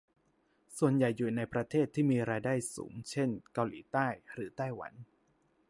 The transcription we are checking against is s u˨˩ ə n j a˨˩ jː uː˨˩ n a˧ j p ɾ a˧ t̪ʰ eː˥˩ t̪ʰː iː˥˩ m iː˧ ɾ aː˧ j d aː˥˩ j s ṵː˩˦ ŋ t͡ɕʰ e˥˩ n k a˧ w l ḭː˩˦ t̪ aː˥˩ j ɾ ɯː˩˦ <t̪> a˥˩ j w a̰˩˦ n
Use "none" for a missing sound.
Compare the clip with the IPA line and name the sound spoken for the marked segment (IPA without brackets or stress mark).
t̪